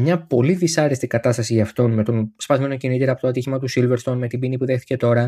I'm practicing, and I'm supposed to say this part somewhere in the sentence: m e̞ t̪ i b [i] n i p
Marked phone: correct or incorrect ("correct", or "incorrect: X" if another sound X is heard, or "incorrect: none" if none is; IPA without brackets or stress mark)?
correct